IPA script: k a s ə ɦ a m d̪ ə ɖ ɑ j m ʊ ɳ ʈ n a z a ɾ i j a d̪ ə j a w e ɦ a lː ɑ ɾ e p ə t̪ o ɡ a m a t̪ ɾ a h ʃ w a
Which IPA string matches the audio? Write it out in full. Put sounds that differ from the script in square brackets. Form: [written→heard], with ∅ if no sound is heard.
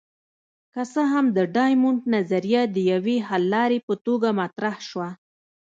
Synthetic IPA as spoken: k a s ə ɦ a m d̪ ə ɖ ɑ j m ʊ ɳ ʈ n a z a ɾ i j a d̪ ə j a w e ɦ a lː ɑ ɾ e p ə t̪ o ɡ a m a t̪ ɾ a h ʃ w a